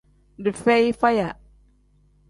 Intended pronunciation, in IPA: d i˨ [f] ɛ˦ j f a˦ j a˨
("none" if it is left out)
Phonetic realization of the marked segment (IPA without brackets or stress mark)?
f